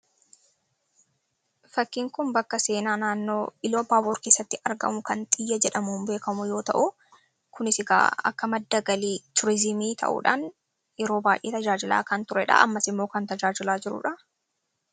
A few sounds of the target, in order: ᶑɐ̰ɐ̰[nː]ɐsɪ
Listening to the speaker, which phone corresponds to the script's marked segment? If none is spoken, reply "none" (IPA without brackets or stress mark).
mː